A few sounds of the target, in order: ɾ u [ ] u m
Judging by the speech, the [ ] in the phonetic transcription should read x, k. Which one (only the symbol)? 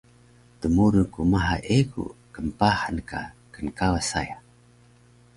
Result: k